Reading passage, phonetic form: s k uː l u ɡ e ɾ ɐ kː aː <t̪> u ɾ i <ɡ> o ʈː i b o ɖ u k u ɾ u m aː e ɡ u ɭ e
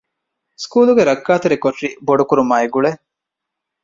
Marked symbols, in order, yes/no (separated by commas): yes, no